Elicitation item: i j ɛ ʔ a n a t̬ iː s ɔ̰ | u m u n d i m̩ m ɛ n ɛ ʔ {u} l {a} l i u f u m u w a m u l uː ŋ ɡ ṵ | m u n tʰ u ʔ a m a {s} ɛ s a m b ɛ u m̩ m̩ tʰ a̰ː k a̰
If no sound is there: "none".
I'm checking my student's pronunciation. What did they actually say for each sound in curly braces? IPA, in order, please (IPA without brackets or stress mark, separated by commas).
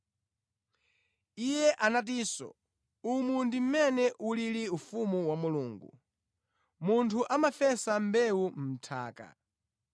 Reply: u, i, f